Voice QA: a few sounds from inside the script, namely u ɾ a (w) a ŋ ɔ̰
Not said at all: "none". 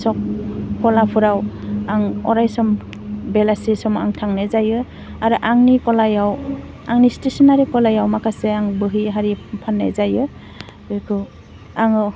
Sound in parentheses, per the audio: w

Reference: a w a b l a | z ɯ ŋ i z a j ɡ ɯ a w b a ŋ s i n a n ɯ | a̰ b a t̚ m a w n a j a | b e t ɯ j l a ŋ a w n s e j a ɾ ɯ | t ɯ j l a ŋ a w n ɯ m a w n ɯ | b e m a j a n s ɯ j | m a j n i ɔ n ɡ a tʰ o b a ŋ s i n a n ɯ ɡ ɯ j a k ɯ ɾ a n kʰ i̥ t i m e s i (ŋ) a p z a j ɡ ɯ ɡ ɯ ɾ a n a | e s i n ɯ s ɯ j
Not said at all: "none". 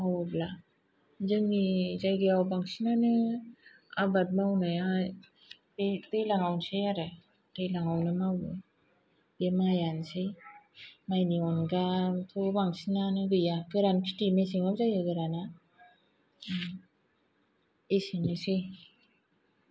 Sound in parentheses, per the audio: ŋ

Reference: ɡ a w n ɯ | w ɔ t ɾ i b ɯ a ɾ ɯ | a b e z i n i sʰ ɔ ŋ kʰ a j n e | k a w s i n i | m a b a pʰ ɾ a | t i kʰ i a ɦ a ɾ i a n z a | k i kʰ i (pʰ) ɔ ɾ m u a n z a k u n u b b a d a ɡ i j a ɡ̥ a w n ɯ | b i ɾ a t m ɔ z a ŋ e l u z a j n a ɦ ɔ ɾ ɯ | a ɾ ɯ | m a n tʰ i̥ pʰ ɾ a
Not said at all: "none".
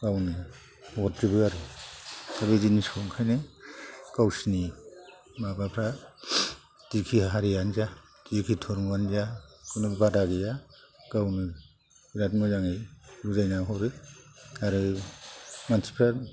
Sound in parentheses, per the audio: tʰ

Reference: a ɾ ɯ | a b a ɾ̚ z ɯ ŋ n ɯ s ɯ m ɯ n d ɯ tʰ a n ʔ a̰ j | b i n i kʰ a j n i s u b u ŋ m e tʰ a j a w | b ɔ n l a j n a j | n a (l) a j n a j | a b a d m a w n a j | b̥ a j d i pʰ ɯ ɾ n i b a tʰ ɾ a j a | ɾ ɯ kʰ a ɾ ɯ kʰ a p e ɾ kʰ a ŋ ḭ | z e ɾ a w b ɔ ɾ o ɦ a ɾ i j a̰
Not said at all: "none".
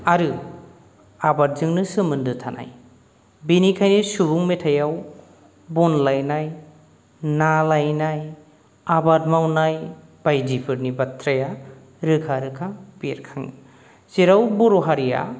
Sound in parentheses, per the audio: l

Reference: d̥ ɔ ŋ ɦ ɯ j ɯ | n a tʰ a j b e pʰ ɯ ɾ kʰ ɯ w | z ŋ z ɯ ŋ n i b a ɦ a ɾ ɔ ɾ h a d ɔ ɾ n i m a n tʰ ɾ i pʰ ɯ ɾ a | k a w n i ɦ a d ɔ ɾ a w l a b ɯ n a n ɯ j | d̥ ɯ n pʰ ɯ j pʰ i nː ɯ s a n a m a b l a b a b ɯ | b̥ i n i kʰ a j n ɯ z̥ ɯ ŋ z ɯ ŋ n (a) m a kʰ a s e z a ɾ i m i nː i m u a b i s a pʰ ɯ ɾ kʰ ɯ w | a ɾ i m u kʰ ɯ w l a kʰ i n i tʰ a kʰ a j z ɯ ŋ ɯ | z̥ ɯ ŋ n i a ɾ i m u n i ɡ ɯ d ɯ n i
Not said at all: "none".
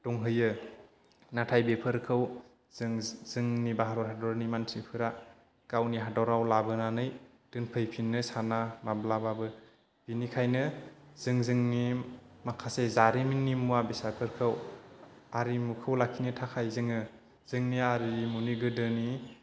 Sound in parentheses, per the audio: i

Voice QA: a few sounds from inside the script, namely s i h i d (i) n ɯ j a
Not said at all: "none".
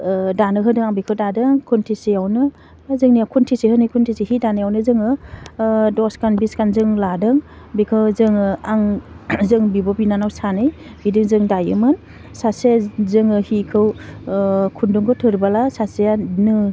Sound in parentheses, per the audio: a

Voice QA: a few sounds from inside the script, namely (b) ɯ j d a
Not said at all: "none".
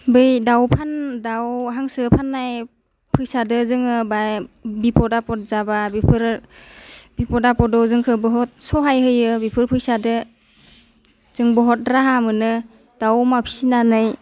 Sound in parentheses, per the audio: b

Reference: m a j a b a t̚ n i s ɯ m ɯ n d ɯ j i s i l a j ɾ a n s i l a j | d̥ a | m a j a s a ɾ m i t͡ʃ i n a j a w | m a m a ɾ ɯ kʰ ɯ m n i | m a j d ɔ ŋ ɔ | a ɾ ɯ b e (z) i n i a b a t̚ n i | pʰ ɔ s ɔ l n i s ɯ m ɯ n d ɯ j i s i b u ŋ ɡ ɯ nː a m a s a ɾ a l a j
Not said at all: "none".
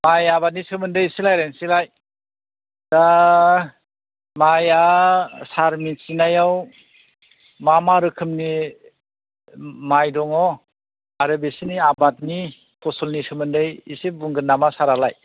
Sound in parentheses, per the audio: s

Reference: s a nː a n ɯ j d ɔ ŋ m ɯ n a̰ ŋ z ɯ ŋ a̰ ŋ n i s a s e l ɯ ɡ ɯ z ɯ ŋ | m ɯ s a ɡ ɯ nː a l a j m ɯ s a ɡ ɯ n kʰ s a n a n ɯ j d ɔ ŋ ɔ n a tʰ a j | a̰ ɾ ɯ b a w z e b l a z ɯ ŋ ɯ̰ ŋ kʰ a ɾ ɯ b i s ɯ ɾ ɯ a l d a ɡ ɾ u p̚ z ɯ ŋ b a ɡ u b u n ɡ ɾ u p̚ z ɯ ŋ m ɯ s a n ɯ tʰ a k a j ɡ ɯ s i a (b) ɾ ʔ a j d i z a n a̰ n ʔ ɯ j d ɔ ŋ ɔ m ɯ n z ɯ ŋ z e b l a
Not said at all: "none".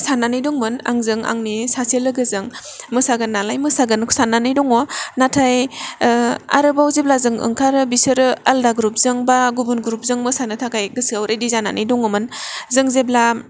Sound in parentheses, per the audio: w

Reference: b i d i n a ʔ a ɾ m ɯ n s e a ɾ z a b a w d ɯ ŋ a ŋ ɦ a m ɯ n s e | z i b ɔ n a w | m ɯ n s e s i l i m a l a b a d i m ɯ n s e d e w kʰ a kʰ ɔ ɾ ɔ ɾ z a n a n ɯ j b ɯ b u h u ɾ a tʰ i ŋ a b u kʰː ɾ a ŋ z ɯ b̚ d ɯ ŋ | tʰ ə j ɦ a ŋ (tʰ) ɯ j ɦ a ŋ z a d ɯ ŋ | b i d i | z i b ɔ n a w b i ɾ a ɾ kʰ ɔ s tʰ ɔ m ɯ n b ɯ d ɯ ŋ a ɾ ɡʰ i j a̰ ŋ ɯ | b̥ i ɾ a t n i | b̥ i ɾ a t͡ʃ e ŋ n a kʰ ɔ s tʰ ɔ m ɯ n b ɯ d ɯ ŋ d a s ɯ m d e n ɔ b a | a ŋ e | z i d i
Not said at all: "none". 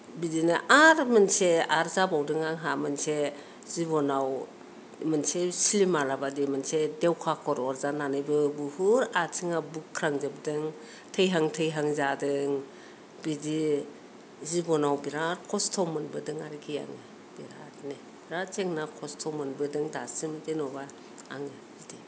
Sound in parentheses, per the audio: tʰ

